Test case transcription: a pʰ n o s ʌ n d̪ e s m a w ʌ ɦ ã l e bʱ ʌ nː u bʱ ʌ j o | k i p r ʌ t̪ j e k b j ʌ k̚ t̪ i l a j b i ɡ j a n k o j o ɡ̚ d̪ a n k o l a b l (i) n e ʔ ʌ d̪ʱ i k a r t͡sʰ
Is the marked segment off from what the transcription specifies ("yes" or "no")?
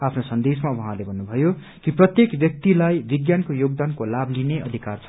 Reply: no